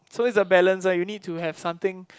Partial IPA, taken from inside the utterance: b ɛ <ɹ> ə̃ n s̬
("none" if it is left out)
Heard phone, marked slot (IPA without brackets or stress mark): l